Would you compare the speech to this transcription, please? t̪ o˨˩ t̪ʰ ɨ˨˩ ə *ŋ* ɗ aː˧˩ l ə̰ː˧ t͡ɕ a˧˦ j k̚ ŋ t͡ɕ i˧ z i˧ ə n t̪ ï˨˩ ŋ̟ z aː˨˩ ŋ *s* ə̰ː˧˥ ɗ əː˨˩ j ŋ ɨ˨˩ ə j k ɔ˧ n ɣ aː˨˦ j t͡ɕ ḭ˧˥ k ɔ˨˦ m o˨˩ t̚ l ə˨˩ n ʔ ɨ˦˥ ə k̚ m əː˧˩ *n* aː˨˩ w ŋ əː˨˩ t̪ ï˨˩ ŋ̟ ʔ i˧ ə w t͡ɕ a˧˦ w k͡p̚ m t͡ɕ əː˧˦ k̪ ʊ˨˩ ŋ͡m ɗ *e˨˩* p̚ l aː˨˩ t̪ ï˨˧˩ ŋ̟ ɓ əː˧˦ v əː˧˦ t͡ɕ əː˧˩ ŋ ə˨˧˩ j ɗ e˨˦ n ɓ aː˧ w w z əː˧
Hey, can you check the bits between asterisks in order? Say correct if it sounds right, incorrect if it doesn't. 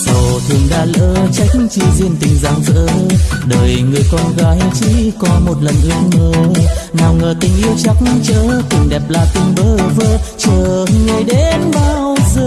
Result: correct, incorrect: z, correct, incorrect: ɛ˨˩

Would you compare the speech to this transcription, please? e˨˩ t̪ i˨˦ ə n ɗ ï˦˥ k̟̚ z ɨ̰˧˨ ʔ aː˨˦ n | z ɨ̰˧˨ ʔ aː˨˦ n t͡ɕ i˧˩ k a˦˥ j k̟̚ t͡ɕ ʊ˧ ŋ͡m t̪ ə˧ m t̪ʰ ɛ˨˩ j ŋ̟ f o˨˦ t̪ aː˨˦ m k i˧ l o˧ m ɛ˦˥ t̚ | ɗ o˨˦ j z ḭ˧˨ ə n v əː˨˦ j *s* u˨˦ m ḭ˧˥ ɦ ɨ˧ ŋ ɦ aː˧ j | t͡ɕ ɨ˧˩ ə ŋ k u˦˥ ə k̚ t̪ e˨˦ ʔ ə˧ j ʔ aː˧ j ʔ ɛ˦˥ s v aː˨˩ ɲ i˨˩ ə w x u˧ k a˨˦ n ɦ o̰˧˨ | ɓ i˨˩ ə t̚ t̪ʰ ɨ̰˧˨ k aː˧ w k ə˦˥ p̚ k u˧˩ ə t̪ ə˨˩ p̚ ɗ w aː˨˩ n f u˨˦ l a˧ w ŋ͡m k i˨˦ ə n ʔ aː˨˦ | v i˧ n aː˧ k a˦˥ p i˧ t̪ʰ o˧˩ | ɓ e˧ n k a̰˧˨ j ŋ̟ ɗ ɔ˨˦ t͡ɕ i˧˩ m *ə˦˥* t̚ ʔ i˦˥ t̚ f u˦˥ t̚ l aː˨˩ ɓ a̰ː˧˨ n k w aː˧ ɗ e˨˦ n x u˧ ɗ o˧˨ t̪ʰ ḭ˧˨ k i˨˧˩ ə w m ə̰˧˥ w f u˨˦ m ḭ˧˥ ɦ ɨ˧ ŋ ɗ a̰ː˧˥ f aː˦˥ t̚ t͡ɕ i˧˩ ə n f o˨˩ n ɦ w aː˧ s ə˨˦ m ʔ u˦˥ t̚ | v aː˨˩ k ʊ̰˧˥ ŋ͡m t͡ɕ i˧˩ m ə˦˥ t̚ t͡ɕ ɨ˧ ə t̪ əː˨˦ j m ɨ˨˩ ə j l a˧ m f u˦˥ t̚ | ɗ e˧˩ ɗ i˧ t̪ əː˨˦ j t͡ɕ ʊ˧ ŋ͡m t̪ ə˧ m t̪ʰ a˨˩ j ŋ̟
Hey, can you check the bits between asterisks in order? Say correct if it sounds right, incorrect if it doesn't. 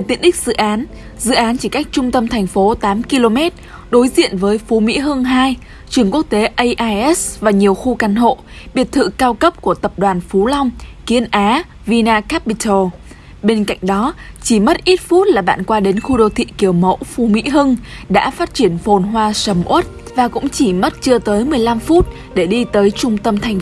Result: incorrect: f, correct

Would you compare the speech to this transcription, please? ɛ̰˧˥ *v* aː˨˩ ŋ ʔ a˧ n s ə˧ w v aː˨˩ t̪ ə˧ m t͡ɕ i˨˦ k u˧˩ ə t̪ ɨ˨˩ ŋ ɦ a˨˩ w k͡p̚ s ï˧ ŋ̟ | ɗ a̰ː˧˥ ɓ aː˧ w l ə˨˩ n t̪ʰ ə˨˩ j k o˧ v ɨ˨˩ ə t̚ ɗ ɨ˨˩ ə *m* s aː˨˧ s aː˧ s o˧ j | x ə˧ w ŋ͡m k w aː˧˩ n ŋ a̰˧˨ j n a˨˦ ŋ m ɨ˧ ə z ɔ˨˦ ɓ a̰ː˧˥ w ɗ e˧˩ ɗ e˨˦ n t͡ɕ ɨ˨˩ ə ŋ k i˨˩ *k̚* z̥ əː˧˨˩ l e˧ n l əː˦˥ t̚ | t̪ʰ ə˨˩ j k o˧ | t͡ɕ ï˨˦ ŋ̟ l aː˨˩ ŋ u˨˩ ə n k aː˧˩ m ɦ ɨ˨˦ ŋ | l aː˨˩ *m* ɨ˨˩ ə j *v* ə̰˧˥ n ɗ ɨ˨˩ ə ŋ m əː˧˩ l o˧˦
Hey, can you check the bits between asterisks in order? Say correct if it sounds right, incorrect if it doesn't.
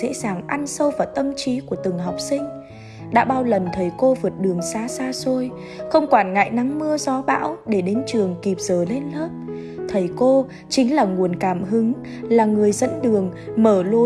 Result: incorrect: z, incorrect: ŋ, incorrect: p̚, incorrect: ŋ, incorrect: z

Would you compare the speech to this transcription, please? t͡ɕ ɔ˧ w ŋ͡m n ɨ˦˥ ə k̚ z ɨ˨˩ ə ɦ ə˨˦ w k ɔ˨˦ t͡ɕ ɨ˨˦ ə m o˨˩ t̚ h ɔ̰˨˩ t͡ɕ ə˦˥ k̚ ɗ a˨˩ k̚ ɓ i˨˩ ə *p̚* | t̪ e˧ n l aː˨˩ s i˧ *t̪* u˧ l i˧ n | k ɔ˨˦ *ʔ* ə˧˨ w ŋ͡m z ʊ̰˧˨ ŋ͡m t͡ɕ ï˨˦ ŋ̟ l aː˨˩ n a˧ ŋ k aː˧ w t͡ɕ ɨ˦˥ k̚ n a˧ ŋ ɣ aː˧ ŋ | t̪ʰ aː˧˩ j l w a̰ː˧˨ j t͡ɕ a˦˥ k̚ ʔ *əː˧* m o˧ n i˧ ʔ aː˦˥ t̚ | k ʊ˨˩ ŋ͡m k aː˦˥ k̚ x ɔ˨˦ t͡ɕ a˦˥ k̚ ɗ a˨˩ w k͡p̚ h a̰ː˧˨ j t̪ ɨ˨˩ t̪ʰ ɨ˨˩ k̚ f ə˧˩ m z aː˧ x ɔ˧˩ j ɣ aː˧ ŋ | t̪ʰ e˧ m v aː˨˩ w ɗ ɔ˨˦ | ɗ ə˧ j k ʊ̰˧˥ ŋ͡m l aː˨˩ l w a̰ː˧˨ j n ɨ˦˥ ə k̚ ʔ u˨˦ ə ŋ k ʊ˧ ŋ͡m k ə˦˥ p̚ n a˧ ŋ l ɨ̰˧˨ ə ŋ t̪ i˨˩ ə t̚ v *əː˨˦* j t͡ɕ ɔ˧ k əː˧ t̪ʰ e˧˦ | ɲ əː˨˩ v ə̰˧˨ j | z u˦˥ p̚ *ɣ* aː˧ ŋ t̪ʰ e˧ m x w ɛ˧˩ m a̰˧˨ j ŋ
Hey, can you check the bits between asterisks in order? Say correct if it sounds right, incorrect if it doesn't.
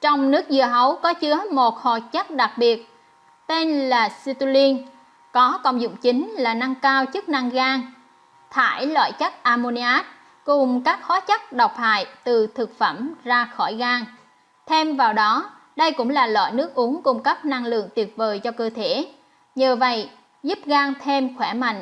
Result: incorrect: t̚, correct, incorrect: k, incorrect: aː˧, incorrect: əː˨˩, correct

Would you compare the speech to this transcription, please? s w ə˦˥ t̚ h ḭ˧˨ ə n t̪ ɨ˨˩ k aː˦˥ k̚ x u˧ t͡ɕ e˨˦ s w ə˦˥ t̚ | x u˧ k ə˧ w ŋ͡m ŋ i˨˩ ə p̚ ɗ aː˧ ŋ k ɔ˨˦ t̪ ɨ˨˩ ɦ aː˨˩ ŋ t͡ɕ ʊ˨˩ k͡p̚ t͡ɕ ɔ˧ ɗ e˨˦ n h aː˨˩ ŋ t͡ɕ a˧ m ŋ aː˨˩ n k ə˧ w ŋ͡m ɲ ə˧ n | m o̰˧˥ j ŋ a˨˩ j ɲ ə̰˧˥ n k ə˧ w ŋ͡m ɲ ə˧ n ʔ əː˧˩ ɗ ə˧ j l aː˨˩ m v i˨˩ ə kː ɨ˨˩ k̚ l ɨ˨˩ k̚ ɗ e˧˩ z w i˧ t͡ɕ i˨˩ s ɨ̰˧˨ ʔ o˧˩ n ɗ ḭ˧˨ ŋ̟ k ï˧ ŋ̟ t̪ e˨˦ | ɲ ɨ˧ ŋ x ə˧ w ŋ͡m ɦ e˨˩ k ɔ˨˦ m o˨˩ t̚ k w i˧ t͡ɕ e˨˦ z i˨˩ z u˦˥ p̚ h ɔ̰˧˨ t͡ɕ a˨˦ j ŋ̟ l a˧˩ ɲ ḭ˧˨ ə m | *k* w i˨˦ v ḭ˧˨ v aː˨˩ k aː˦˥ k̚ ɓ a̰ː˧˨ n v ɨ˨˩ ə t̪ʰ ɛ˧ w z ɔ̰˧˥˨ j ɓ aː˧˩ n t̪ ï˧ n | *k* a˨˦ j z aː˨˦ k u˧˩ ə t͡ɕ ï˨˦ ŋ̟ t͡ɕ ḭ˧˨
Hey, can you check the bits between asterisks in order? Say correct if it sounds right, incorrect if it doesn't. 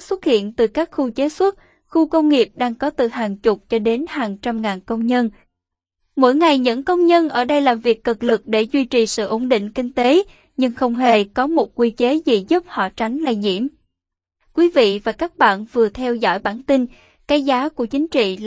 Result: correct, correct

